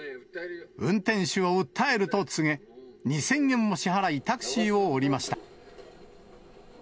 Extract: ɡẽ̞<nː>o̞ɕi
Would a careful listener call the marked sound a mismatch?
yes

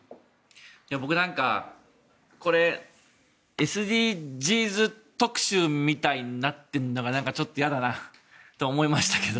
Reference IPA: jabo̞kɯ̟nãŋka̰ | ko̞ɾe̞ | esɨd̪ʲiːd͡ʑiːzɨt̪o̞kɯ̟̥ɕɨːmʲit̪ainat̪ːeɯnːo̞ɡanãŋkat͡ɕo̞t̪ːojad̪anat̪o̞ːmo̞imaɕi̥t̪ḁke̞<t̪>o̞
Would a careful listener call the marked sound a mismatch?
yes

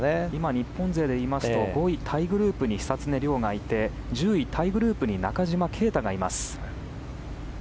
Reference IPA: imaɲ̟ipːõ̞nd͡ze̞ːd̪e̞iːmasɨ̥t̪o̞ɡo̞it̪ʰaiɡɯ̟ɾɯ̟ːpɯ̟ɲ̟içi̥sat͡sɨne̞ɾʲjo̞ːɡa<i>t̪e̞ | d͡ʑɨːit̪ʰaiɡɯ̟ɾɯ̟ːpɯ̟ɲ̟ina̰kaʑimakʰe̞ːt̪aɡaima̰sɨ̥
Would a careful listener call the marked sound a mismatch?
no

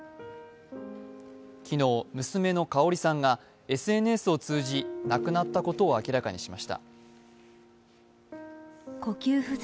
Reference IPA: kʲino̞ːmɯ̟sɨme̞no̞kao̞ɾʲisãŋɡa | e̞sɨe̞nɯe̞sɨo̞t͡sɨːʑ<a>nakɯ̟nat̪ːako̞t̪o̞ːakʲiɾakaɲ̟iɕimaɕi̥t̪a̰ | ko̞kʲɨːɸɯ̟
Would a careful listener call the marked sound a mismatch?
yes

